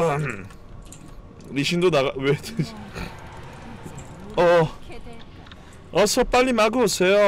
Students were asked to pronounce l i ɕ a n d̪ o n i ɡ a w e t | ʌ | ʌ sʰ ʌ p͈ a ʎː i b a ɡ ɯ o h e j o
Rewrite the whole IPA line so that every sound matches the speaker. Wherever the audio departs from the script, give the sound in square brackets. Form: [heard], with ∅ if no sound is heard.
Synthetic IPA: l i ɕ [i] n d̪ o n [a] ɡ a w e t | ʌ | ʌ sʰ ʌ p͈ a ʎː i [m] a ɡ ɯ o [s] e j o